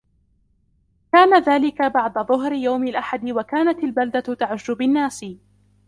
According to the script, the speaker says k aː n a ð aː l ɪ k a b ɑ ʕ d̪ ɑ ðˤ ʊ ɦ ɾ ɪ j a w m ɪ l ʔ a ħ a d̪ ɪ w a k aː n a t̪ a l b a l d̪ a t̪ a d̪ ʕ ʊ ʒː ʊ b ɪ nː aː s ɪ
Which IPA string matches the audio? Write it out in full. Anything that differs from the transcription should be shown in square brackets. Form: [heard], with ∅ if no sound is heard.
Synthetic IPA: k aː n a ð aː l ɪ k a b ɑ ʕ d̪ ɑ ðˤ ʊ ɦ ɾ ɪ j a w m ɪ l ʔ a ħ a d̪ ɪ w a k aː n a t̪ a l b a l d̪ a t̪ a [∅] ʕ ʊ ʒː ʊ b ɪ nː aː s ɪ